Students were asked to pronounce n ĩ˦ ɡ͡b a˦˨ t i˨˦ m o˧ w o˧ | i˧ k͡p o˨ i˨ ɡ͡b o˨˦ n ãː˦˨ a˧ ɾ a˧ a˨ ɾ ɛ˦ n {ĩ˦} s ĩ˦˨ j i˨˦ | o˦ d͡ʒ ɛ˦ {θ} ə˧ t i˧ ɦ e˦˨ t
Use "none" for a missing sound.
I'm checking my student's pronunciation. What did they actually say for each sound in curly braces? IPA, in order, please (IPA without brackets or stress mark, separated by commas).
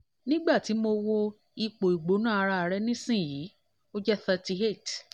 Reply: ĩ˦, θ